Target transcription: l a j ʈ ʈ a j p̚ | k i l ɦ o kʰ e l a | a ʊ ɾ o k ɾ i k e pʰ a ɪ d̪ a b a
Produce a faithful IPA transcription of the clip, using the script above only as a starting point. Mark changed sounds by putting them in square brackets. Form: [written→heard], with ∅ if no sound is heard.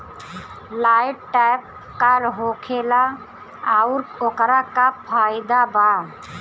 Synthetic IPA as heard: l a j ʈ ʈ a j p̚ | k [i→a] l ɦ o kʰ e l a | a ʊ ɾ o k ɾ [i→a] k [e→a] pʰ a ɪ d̪ a b a